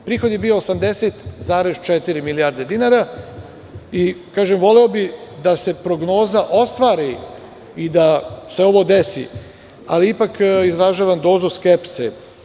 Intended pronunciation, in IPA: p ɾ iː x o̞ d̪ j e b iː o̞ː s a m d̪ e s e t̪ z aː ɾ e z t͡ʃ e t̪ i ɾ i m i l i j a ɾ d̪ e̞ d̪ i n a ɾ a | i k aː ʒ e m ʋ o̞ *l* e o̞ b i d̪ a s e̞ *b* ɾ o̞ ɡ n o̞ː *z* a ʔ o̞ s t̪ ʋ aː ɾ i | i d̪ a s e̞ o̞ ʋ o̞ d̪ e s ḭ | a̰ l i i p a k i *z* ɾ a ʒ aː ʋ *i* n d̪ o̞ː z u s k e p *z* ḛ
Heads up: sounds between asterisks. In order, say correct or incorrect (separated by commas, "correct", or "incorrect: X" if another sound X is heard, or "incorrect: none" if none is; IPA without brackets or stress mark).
correct, incorrect: p, correct, correct, incorrect: a, incorrect: s